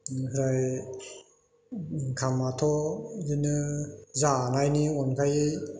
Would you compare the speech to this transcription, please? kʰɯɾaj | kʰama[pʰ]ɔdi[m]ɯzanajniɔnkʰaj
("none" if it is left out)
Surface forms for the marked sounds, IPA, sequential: tʰ, n

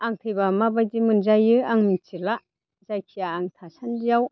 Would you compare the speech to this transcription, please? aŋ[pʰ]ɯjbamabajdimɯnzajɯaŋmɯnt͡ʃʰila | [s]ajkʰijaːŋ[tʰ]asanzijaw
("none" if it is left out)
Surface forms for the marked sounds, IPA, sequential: tʰ, z, tʰ

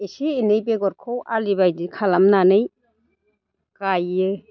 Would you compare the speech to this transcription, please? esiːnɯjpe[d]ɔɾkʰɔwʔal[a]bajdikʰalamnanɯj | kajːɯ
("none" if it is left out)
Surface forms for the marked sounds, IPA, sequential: ɡ, i

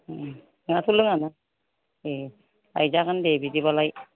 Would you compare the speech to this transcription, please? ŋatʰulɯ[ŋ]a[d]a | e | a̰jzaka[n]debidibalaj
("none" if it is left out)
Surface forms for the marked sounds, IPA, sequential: ŋ, n, n

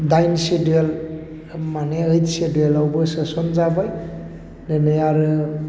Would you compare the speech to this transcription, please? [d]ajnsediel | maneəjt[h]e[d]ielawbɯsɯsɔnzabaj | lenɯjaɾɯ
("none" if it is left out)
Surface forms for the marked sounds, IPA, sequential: d, s, d

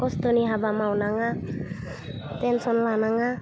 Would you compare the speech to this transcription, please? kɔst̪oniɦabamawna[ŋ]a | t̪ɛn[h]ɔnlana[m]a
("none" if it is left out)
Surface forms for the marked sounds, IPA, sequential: ŋ, s, ŋ

